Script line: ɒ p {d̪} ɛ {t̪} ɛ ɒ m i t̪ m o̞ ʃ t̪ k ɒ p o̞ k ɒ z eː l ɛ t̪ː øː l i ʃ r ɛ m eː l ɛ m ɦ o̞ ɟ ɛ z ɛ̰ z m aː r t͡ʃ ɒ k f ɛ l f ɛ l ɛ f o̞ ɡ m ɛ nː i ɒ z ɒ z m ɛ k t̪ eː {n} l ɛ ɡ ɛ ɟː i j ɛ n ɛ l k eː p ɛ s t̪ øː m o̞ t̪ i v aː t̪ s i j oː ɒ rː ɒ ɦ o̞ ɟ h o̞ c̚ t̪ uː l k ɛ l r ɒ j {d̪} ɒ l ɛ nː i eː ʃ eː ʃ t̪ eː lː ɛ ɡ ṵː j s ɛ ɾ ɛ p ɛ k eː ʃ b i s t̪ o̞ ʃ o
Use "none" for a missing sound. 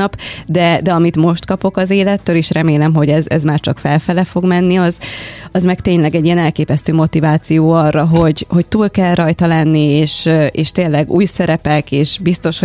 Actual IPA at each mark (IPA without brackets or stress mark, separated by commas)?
d̪, d̪, ɲ, t̪